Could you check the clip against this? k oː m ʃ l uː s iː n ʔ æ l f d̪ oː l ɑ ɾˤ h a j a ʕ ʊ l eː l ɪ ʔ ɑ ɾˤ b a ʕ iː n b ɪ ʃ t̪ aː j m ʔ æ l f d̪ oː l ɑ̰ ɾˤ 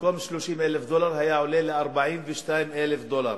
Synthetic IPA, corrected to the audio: k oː m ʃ l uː ʃ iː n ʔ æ l f d̪ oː l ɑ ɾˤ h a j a ʕ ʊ l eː l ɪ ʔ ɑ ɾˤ b a ʕ iː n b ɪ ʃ t̪ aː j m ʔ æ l f d̪ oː l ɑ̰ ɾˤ